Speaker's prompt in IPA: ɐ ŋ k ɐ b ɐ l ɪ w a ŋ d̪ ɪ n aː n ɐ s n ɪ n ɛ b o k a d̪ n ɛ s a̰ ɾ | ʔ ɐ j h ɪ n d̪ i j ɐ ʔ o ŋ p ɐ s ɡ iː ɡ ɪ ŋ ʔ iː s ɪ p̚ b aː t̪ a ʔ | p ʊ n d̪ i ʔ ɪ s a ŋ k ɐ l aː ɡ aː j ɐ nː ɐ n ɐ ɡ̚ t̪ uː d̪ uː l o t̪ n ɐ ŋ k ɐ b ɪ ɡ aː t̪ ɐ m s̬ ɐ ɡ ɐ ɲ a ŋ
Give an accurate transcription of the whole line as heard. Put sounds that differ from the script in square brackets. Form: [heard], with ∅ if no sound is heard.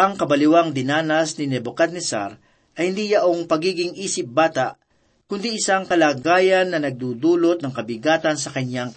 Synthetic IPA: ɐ ŋ k ɐ b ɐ l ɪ w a ŋ d̪ ɪ n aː n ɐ s n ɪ n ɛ b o k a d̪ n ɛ s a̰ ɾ | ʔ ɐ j h ɪ n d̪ i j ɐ ʔ o ŋ p ɐ [∅] ɡ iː ɡ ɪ ŋ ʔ iː s ɪ p̚ b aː t̪ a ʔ | [k] ʊ n d̪ i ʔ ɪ s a ŋ k ɐ l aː ɡ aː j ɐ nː ɐ n ɐ ɡ̚ [d̪] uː d̪ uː l o t̪ n ɐ ŋ k ɐ b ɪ ɡ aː t̪ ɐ [n] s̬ ɐ [k] ɐ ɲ a ŋ